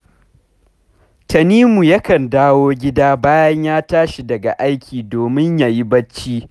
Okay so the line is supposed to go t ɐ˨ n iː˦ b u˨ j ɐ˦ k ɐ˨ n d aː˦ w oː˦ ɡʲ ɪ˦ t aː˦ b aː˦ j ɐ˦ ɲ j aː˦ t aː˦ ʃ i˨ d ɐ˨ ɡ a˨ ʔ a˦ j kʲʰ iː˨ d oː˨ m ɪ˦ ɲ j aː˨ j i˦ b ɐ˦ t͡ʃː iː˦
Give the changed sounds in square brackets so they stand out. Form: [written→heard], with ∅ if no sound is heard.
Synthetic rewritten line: t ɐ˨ n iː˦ [b→m] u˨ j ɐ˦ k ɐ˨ n d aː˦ w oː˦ ɡʲ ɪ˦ [t→d] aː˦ b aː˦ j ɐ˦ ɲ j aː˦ t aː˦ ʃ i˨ d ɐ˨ ɡ a˨ ʔ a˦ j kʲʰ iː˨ d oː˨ m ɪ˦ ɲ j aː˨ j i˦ b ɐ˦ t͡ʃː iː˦